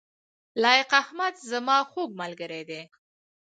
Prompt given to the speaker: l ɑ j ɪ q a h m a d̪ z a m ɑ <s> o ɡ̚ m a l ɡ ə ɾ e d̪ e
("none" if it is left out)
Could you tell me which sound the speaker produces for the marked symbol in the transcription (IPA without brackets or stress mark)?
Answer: x